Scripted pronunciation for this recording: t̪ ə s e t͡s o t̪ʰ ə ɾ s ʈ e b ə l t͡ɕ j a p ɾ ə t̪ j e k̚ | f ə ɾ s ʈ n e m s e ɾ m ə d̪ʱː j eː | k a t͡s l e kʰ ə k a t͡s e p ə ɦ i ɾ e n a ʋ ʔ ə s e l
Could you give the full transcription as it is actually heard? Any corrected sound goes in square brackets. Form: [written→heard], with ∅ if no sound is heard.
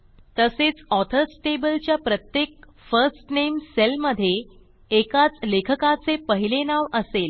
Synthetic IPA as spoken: t̪ ə s e t͡s [o→ɔ] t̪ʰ ə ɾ s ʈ e b ə l t͡ɕ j a p ɾ ə t̪ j e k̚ | f ə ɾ s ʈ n e m s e [ɾ→l] m ə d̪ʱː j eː | k a t͡s l e kʰ ə k a t͡s e p ə ɦ i [ɾ→l] e n a ʋ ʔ ə s e l